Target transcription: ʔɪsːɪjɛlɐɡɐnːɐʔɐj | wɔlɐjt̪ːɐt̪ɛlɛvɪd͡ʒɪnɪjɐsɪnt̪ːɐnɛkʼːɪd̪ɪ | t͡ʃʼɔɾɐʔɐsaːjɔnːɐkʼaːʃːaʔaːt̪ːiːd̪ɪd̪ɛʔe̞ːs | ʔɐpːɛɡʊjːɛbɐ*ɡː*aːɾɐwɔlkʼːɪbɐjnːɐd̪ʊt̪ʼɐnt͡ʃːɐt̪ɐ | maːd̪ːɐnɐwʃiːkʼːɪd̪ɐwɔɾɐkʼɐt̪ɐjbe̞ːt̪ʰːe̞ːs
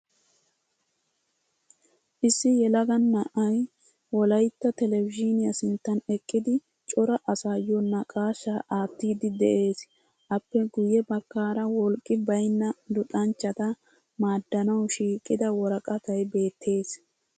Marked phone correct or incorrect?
incorrect